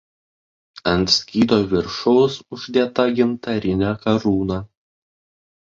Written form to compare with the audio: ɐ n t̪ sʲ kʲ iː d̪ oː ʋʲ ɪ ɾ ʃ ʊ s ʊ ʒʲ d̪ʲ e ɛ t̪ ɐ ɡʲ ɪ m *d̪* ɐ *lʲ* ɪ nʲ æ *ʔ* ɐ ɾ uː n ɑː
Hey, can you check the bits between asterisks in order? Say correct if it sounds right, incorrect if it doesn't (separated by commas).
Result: incorrect, incorrect, incorrect